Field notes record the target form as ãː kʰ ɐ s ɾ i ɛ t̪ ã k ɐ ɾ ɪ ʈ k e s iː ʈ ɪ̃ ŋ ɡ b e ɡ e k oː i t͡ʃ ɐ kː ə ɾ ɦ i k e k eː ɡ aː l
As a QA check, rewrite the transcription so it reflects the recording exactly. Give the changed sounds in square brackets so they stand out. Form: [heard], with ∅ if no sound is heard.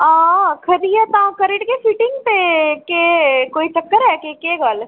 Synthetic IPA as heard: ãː kʰ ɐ [∅] ɾ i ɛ t̪ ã k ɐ ɾ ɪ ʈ k e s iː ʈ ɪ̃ ŋ ɡ [p] e [k] e k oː i t͡ʃ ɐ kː ə ɾ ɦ [ɛ] k e k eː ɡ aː l